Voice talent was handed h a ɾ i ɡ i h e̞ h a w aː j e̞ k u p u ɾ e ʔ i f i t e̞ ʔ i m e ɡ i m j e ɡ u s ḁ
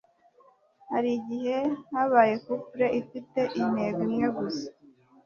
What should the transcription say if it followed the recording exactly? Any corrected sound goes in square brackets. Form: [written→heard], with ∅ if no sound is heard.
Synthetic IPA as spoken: h a ɾ i [ɡ→ɟ] i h e̞ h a [w→β] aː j e̞ k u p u ɾ e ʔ i f i t e̞ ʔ i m e ɡ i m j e ɡ u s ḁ